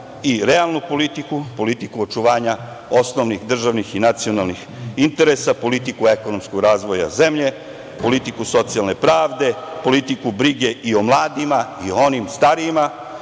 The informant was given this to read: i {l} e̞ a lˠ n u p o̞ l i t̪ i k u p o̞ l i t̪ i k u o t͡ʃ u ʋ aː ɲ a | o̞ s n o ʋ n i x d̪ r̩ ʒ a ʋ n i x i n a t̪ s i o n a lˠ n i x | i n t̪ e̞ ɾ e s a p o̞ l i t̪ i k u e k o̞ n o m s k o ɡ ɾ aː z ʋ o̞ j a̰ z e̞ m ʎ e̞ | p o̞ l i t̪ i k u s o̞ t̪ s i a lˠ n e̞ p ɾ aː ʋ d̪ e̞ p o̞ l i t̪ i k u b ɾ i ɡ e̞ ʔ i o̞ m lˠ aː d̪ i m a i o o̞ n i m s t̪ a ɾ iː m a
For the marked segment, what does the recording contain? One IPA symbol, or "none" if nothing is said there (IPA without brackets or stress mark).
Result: ɾ